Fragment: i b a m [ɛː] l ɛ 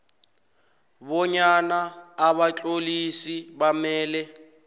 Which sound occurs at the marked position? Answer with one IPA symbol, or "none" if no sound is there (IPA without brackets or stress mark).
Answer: ɛː